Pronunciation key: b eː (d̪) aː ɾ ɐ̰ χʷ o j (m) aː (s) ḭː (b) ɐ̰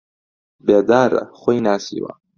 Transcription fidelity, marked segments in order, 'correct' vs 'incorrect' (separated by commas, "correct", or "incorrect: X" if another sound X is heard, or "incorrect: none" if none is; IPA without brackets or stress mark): correct, incorrect: n, correct, incorrect: w